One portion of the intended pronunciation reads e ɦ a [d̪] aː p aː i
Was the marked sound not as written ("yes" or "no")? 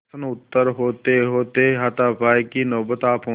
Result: yes